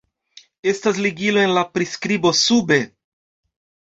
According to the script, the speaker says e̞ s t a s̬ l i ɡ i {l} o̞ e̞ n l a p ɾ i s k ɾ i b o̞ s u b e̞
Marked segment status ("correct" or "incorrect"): correct